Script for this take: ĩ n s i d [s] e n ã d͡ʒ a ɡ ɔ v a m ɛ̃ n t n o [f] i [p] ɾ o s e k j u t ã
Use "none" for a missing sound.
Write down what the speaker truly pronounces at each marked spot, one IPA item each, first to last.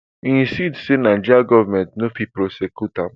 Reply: s, f, p

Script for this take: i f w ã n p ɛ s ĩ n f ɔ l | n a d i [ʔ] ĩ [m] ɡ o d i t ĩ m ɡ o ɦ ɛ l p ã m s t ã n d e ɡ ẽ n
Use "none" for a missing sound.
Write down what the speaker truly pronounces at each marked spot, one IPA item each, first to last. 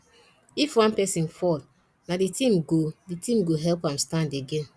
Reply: t, m

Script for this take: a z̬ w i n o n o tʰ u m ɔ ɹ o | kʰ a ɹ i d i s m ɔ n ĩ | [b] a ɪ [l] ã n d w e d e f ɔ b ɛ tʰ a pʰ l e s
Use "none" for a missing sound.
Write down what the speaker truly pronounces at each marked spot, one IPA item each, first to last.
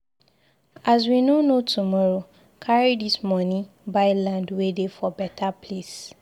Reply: b, l

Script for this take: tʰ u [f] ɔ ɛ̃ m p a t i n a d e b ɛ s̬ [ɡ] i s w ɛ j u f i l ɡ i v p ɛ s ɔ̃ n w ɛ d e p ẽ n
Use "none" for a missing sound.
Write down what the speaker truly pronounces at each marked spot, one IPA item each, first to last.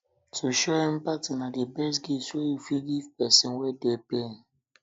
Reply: ʃ, ɡ

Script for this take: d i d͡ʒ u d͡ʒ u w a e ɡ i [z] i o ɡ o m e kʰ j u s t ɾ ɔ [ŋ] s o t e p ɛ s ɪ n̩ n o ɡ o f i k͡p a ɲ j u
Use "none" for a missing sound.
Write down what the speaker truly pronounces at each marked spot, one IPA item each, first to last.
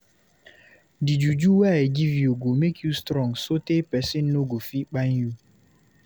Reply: v, ŋ

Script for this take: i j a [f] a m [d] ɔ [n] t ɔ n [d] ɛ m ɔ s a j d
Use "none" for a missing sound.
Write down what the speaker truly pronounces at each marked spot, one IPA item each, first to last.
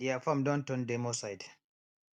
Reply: f, d, n, d

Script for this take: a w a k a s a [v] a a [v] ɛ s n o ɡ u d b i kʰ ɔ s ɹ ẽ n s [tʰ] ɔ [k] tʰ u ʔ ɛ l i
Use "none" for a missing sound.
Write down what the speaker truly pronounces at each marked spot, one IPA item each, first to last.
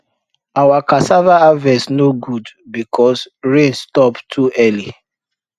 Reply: v, v, t, p

